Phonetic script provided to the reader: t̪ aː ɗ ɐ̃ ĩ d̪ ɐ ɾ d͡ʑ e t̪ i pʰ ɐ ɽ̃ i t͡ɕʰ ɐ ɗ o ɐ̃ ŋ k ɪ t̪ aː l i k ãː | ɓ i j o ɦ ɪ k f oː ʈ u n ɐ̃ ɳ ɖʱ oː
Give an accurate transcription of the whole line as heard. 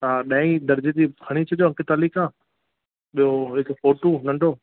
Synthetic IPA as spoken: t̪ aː ɗ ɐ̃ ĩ d̪ ɐ ɾ d͡ʑ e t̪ i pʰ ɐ ɽ̃ i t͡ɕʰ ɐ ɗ o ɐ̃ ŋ k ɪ t̪ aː l i k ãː | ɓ i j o ɦ ɪ k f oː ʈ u n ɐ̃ ɳ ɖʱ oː

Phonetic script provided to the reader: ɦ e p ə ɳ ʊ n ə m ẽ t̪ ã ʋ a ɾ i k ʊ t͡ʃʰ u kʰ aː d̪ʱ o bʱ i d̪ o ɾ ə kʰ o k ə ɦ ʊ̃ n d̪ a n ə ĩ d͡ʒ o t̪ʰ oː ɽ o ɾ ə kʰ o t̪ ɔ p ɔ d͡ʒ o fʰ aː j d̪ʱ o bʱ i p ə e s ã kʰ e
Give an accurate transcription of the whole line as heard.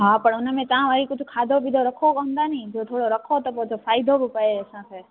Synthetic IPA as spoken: ɦ a p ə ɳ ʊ n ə m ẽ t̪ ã ʋ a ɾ i k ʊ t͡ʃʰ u kʰ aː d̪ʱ o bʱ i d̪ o ɾ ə kʰ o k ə ɦ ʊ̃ n d̪ a n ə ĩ d͡ʒ o t̪ʰ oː ɽ o ɾ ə kʰ o t̪ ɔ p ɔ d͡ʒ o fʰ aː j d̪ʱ o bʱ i p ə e s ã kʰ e

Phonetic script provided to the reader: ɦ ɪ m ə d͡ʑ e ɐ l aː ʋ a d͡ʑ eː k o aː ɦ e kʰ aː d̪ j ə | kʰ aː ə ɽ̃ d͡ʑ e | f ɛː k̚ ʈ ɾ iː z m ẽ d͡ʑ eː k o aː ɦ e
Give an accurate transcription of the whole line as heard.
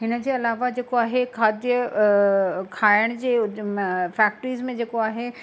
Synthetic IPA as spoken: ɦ ɪ n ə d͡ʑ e ɐ l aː ʋ a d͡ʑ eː k o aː ɦ e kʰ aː d̪ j ə | kʰ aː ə ɽ̃ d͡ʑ e | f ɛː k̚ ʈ ɾ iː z m ẽ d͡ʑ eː k o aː ɦ e

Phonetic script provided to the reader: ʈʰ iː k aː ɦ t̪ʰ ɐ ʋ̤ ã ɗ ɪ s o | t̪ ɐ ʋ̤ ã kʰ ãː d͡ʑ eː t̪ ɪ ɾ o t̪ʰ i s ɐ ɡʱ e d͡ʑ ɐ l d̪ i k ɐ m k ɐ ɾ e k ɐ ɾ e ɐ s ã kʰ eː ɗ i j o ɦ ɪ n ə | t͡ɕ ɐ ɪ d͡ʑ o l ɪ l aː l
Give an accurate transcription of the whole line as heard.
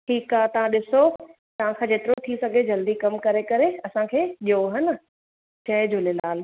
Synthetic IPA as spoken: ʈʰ iː k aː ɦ t̪ ɐ ʋ̤ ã ɗ ɪ s o | t̪ ɐ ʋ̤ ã kʰ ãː d͡ʑ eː t̪ ɪ ɾ o t̪ʰ i s ɐ ɡʱ e d͡ʑ ɐ l d̪ i k ɐ m k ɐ ɾ e k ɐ ɾ e ɐ s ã kʰ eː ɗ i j o ɦ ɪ n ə | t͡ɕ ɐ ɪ d͡ʑ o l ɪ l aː l

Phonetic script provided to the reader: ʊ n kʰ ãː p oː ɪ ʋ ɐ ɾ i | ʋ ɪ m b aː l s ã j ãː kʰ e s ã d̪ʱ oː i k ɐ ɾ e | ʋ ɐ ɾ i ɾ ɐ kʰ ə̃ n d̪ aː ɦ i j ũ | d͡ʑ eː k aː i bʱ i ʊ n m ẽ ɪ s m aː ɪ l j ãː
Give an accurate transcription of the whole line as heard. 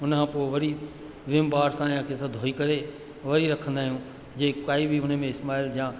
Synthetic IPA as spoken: ʊ n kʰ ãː p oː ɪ ʋ ɐ ɾ i | ʋ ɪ m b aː ɾ s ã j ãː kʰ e s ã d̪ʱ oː i k ɐ ɾ e | ʋ ɐ ɾ i ɾ ɐ kʰ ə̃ n d̪ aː ɦ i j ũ | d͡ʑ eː k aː i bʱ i ʊ n m ẽ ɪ s m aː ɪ l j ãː

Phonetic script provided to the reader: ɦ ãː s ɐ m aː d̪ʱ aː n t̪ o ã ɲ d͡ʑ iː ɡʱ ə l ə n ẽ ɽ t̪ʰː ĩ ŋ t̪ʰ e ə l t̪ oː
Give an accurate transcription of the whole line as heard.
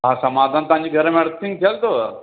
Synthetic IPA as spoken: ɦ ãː s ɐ m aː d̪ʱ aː n t̪ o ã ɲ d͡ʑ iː ɡʱ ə ɾ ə m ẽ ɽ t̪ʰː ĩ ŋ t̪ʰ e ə l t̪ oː

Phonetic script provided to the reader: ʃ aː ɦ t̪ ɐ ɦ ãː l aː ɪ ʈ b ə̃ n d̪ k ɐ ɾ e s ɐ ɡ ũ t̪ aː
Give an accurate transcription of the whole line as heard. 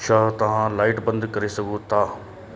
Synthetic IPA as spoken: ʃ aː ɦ t̪ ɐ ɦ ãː l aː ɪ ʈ b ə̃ n d̪ k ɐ ɾ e s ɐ ɡ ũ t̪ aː

